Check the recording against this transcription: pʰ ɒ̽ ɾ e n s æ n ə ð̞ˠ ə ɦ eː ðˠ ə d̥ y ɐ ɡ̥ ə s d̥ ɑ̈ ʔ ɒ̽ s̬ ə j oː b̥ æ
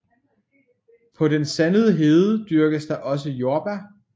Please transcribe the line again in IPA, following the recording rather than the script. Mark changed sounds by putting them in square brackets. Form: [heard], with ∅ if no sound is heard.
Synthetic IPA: pʰ ɒ̽ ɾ e n s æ n ə ð̞ˠ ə ɦ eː ðˠ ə d̥ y ɐ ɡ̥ ə s d̥ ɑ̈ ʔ ɒ̽ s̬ ə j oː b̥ æ